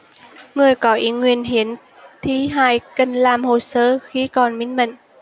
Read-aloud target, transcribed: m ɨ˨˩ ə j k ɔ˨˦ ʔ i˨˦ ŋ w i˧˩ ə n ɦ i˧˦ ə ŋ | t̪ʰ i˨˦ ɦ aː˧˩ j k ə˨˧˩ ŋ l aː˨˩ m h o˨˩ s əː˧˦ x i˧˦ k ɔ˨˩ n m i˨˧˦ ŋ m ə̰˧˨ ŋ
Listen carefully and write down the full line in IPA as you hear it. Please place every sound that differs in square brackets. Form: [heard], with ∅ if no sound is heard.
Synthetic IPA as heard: [ŋ] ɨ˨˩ ə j k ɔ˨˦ ʔ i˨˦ ŋ w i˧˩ ə n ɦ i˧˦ ə [n] | t̪ʰ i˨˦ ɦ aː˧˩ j k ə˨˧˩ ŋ l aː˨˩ m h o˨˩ s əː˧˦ x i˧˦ k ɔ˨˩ n m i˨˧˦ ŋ m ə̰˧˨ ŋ